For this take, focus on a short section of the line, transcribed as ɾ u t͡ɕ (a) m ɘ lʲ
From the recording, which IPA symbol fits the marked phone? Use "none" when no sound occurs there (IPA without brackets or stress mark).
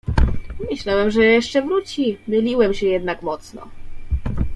i